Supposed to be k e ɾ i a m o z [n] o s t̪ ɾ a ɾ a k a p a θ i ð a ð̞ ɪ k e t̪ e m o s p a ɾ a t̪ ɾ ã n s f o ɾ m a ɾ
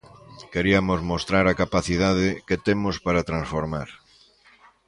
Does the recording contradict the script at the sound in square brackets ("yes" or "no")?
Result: yes